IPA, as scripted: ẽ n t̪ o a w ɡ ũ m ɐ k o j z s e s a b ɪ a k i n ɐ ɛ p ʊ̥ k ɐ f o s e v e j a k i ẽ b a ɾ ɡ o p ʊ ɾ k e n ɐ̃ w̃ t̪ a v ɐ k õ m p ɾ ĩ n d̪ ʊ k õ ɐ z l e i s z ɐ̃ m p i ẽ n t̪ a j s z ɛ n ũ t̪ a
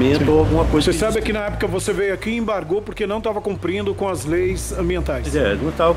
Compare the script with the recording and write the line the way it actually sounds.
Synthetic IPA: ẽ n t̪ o a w ɡ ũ m ɐ k o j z s e s a b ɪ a k i n ɐ ɛ p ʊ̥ k ɐ v o s e v e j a k i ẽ b a ɾ ɡ o p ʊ ɾ k e n ɐ̃ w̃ t̪ a v ɐ k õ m p ɾ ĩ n d̪ ʊ k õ ɐ z l e j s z ɐ̃ m b i ẽ n t̪ a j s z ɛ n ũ t̪ a